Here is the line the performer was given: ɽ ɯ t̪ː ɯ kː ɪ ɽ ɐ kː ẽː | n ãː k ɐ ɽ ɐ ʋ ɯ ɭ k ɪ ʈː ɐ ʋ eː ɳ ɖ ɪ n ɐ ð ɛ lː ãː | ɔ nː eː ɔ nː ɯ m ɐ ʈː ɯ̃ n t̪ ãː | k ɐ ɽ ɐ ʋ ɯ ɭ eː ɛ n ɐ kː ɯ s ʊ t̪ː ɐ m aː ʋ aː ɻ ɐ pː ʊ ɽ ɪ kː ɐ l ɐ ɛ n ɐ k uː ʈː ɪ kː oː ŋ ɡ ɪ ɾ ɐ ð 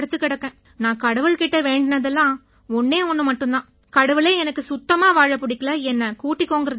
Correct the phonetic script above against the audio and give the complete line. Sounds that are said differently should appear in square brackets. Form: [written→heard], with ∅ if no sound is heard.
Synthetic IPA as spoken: ɽ ɯ t̪ː ɯ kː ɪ ɽ ɐ kː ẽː | n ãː k ɐ ɽ ɐ ʋ ɯ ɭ k ɪ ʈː ɐ ʋ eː ɳ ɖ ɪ n ɐ ð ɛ lː ãː | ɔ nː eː ɔ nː ɯ m ɐ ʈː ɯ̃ n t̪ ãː | k ɐ ɽ ɐ ʋ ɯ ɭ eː ɛ n ɐ kː ɯ s ʊ t̪ː ɐ m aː ʋ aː ɻ ɐ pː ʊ ɽ ɪ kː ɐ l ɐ ɛ [n→nː] ɐ k uː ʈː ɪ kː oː ŋ ɡ ɪ ɾ ɐ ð